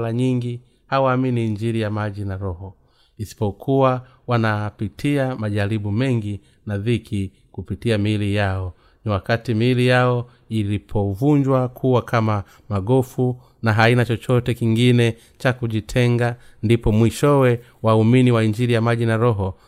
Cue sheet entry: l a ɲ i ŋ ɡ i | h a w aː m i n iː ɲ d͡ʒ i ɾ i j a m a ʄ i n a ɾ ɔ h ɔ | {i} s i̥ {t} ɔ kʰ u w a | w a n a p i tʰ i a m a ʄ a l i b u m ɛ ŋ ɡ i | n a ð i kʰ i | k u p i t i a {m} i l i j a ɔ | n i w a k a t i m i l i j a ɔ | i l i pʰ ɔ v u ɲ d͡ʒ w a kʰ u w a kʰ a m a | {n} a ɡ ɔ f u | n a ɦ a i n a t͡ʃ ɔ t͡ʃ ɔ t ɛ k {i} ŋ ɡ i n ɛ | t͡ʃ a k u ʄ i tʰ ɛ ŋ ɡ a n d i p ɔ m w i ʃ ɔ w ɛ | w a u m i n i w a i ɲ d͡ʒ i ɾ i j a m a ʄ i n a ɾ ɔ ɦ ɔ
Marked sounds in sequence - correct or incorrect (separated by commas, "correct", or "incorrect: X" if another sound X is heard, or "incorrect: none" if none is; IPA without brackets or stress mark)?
correct, incorrect: p, correct, incorrect: m, correct